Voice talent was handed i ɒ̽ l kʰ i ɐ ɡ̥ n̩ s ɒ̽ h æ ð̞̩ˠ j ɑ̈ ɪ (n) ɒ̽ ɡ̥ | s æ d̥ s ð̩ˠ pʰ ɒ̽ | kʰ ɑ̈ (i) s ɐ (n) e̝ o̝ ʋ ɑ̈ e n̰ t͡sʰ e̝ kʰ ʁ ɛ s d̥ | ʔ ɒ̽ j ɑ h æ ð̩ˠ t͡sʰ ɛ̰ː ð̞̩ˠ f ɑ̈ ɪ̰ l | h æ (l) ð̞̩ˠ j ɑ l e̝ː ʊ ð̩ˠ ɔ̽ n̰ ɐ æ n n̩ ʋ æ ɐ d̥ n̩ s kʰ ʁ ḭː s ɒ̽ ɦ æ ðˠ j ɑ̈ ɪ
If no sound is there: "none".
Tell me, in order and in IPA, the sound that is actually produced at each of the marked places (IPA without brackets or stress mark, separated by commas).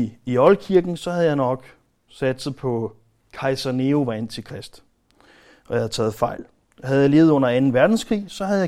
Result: n, ɪ, n, none